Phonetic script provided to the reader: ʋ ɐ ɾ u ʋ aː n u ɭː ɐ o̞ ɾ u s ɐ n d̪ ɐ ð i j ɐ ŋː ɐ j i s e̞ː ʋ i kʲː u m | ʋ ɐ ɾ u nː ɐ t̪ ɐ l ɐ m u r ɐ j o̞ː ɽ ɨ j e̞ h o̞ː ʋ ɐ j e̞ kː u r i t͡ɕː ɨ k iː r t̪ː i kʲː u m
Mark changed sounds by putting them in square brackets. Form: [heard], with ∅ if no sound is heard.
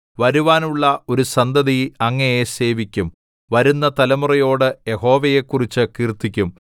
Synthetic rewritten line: ʋ ɐ ɾ u ʋ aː n u ɭː ɐ o̞ ɾ u s ɐ n d̪ ɐ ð i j ɐ ŋː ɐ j [e] s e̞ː ʋ i kʲː u m | ʋ ɐ ɾ u nː ɐ t̪ ɐ l ɐ m u r ɐ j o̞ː ɽ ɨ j e̞ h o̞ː ʋ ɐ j e̞ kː u r i t͡ɕː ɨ k iː r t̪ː i kʲː u m